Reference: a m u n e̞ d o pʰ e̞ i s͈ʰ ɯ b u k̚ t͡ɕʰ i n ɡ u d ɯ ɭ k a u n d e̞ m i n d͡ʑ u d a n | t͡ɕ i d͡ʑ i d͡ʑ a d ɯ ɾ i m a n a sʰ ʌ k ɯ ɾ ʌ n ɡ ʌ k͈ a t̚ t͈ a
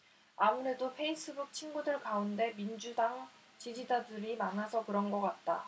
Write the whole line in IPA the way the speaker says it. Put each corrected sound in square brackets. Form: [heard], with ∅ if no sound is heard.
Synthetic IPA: a m u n e̞ d o pʰ e̞ i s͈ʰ ɯ b u k̚ t͡ɕʰ i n ɡ u d ɯ ɭ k a u n d e̞ m i n d͡ʑ u d a [ŋ] | t͡ɕ i d͡ʑ i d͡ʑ a d ɯ ɾ i m a n a sʰ ʌ k ɯ ɾ ʌ n ɡ ʌ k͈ a t̚ t͈ a